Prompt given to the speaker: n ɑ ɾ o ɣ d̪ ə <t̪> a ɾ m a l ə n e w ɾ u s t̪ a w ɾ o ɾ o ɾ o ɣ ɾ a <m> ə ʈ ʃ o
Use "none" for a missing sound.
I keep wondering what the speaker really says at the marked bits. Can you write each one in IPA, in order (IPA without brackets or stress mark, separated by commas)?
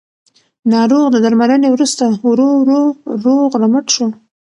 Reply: d̪, m